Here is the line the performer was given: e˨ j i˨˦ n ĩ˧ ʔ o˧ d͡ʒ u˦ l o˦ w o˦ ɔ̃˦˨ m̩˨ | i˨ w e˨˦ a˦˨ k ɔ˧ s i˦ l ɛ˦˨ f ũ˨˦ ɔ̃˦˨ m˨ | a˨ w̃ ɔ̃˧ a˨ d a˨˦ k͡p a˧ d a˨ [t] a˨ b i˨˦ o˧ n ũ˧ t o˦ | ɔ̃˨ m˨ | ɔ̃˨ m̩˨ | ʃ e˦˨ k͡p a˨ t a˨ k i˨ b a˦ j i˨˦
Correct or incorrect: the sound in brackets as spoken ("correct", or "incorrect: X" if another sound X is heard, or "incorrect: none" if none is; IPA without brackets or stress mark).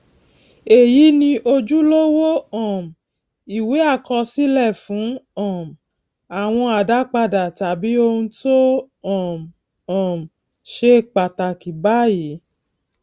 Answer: correct